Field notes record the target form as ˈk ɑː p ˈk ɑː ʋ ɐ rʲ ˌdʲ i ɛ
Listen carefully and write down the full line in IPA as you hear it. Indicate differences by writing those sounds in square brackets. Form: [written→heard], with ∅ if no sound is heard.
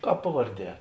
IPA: ˈk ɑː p [ˈk→ˈp] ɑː ʋ ɐ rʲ ˌdʲ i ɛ